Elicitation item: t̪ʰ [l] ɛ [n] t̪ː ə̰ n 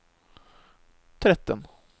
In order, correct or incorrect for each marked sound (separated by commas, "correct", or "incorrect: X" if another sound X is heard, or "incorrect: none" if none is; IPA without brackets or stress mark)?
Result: incorrect: ɾ, incorrect: none